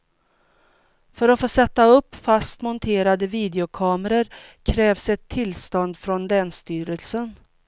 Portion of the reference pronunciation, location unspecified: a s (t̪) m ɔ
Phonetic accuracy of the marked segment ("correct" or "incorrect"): correct